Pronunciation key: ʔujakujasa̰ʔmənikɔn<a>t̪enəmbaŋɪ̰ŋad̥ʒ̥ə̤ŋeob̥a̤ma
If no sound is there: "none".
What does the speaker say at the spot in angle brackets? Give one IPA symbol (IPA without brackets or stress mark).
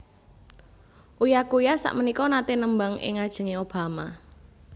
a